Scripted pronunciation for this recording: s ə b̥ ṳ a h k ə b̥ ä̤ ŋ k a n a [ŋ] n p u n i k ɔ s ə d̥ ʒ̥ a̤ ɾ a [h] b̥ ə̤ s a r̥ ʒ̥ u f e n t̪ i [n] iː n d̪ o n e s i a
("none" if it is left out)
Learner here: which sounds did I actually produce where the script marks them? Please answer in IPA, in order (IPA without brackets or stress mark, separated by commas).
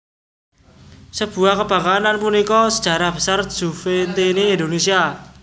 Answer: none, h, n